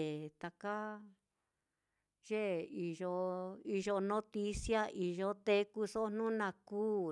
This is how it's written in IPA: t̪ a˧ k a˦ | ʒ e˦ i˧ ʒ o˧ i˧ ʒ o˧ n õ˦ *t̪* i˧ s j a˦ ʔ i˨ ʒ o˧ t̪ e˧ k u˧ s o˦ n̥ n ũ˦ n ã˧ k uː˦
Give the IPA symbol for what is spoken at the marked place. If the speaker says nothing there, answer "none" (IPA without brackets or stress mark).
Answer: t̪